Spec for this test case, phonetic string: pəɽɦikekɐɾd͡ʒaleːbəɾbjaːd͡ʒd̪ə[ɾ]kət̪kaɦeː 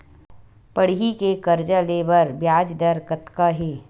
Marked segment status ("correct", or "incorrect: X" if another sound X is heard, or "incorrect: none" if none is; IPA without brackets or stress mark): correct